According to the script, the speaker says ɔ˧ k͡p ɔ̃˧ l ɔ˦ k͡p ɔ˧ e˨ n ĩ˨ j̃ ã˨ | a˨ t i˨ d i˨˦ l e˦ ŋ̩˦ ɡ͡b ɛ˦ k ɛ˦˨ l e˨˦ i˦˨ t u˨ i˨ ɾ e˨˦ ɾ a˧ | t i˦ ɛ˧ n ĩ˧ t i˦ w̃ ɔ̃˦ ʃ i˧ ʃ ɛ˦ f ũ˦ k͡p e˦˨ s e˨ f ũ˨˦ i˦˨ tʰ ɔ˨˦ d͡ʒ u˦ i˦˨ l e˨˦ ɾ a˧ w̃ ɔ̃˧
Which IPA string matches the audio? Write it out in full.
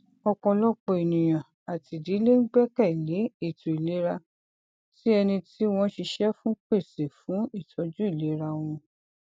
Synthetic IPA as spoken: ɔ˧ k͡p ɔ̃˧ l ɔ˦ k͡p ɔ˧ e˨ n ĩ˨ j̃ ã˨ | a˨ t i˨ d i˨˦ l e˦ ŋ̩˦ ɡ͡b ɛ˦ k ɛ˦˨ l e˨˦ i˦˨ t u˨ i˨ l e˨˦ ɾ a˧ | t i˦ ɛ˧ n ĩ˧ t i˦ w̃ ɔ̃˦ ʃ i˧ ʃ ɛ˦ f ũ˦ k͡p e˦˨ s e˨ f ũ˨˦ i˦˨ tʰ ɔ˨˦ d͡ʒ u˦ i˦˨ l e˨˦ ɾ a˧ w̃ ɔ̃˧